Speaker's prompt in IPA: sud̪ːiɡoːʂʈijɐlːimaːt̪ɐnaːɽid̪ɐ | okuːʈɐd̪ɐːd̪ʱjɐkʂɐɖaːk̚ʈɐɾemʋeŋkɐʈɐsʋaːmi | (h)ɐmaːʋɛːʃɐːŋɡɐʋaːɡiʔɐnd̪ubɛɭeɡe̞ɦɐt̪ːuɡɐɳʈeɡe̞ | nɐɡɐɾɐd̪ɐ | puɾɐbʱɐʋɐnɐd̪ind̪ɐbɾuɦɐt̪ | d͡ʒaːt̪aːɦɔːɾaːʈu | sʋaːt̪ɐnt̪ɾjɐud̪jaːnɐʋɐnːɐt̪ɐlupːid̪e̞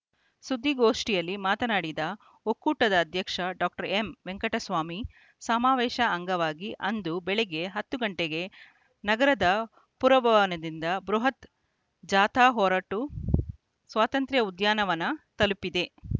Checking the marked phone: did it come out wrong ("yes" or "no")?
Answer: yes